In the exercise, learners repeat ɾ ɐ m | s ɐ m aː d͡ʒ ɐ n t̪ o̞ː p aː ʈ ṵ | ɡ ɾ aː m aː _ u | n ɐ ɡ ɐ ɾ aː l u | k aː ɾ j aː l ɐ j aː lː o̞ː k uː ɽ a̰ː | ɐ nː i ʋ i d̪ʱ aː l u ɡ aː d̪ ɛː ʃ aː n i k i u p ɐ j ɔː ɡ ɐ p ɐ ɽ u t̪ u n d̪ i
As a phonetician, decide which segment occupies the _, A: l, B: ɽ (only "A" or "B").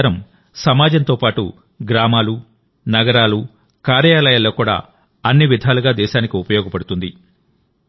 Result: A